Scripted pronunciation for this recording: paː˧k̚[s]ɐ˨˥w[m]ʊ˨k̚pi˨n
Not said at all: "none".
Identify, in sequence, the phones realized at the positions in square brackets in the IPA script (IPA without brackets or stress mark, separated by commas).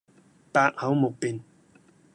h, m